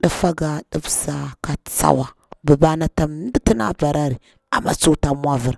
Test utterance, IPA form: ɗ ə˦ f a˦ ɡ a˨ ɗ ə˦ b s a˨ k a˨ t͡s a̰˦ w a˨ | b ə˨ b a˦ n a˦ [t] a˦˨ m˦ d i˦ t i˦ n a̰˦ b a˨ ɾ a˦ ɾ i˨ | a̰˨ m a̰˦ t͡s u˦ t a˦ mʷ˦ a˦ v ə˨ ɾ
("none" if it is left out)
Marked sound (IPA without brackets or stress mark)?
t